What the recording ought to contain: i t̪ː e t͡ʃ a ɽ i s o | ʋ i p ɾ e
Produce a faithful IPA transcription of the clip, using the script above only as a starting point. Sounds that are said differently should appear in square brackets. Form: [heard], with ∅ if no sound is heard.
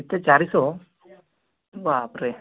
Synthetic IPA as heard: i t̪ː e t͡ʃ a [ɾ] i s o | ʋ [a] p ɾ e